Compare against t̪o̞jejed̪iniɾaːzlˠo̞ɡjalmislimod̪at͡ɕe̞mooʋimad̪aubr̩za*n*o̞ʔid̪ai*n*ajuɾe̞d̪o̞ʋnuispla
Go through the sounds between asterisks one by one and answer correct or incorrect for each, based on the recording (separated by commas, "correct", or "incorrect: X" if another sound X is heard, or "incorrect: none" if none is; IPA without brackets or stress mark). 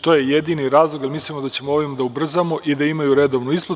incorrect: m, incorrect: m